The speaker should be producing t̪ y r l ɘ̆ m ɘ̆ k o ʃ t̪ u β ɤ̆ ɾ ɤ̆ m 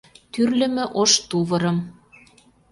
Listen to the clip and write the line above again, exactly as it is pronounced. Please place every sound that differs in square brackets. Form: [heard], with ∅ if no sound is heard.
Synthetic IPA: t̪ y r l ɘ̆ m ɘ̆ [ʔ] o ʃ t̪ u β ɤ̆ ɾ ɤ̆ m

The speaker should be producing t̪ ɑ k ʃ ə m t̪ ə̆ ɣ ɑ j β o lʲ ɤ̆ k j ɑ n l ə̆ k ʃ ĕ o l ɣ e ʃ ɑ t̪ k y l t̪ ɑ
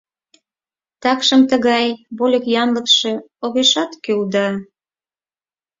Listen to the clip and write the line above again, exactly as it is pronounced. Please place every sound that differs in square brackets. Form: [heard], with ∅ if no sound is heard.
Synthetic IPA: t̪ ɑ k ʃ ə m t̪ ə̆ ɣ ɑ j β o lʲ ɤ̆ k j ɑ n l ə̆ k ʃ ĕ o [∅] ɣ e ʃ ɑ t̪ k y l [d̪] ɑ

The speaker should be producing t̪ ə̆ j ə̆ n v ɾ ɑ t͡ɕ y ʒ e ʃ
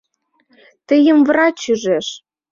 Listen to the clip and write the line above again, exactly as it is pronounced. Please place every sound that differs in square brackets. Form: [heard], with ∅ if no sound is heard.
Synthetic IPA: t̪ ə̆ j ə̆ [m] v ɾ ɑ t͡ɕ y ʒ e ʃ

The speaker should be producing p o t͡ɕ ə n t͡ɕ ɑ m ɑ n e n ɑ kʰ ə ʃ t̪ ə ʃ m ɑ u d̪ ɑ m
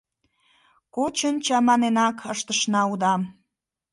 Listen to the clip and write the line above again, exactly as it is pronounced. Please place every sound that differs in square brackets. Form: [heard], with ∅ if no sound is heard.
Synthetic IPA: [k] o t͡ɕ ə n t͡ɕ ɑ m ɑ n e n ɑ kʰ ə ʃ t̪ ə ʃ [n] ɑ u d̪ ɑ m

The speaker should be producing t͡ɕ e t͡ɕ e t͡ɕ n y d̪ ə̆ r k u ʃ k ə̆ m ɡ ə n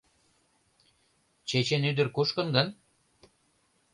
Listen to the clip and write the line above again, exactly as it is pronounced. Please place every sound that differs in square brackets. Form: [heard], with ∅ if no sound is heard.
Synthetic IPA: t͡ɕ e t͡ɕ e [∅] n y d̪ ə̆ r k u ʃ k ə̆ [n] ɡ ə n

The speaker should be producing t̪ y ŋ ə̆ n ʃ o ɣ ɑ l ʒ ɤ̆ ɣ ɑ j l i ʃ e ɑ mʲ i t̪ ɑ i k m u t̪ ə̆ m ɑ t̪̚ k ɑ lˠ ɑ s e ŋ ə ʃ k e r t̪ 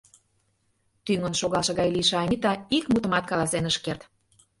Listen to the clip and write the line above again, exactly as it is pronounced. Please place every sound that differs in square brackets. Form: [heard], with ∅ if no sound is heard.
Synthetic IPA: t̪ y ŋ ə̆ n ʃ o ɣ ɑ l [ʃ] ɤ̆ ɣ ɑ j l i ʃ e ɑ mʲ i t̪ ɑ i k m u t̪ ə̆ m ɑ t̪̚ k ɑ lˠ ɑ s e [n] ə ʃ k e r t̪

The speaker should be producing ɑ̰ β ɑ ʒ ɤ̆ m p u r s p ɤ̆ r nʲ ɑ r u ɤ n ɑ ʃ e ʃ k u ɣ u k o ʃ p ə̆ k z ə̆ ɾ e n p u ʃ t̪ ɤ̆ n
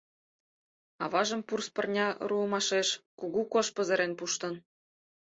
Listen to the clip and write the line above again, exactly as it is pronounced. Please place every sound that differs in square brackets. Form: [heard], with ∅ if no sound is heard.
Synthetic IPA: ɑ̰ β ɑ ʒ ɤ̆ m p u r s p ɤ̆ r nʲ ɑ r u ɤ [m] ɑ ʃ e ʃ k u ɣ u k o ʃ p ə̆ [∅] z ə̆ ɾ e n p u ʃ t̪ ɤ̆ n

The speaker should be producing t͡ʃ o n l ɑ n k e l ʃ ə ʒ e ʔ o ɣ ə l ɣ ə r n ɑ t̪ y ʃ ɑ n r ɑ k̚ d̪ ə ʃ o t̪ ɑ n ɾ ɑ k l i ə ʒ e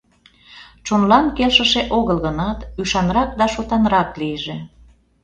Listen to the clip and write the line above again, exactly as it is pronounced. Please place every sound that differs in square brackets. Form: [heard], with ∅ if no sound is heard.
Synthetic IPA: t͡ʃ o n l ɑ n k e l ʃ ə [ʃ] e ʔ o ɣ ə l ɣ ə [∅] n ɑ t̪ y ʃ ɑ n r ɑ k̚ d̪ [ɑ] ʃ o t̪ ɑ n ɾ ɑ k l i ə ʒ e

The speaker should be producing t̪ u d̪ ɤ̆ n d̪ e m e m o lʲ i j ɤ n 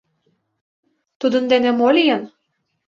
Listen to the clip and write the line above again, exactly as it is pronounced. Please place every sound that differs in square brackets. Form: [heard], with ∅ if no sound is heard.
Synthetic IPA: t̪ u d̪ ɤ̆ n d̪ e [n] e m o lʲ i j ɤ n

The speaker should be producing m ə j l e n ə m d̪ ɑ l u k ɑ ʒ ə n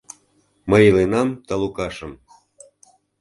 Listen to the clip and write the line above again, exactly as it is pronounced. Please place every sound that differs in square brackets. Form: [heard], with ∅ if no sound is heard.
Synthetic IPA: m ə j l e n [ɑ] m [t̪] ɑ l u k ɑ [ʃ] ə [m]

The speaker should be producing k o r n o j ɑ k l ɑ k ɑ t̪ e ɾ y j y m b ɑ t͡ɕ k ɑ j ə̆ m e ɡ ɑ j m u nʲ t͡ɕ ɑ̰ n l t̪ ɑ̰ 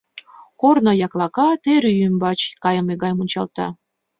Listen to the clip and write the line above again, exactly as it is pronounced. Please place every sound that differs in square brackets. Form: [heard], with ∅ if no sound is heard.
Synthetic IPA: k o r n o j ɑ k l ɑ k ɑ t̪ e ɾ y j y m b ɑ t͡ɕ k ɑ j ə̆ m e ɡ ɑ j m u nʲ t͡ɕ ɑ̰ [∅] l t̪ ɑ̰

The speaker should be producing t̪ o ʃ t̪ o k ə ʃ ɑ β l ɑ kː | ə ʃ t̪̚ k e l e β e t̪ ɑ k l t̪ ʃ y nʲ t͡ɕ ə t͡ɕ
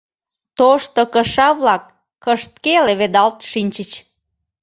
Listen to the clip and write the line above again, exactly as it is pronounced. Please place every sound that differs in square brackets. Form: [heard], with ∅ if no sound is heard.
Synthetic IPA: t̪ o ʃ t̪ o k ə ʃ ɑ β l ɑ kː | ə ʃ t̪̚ k e l e β e [d̪] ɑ [∅] l t̪ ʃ [i] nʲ t͡ɕ ə t͡ɕ

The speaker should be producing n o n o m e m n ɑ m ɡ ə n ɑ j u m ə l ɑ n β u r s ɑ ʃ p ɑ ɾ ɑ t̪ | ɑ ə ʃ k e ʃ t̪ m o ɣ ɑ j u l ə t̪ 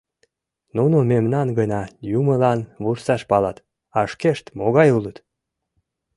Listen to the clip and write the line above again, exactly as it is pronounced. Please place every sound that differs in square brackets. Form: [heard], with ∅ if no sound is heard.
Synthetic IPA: n [u] n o m e m n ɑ [n] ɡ ə n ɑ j u m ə l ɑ n β u r s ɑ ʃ p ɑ [l] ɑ t̪ | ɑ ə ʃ k e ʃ t̪ m o ɣ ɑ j u l ə t̪

